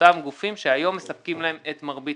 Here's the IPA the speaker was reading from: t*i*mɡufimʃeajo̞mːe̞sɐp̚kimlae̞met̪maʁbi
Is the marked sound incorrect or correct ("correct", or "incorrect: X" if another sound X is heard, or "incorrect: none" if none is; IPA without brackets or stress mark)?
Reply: incorrect: a